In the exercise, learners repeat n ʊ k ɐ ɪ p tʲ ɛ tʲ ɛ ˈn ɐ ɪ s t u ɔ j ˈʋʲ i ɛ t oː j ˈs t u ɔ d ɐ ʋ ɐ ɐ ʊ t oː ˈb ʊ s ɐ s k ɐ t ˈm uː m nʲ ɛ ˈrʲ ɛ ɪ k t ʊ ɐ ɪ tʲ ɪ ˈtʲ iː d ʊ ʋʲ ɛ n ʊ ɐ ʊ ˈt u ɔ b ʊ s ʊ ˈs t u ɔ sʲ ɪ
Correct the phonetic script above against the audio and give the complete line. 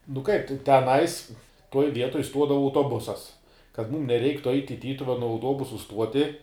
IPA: n ʊ k ɐ ɪ p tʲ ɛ tʲ ɛ ˈn ɐ ɪ s t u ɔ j ˈʋʲ i ɛ t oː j ˈs t u ɔ d ɐ ʋ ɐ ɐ ʊ t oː ˈb ʊ s ɐ s k ɐ t ˈm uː m nʲ ɛ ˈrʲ ɛ ɪ k t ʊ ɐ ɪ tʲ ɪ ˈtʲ iː t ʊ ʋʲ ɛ n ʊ ɐ ʊ ˈt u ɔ b ʊ s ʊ ˈs t u ɔ tʲ ɪ

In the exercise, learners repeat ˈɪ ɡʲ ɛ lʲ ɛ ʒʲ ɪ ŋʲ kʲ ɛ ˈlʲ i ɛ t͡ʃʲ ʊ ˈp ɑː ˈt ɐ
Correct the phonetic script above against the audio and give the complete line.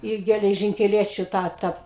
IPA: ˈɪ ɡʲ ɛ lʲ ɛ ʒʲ ɪ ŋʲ kʲ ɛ ˈlʲ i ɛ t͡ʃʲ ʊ ˈt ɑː ˈt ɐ

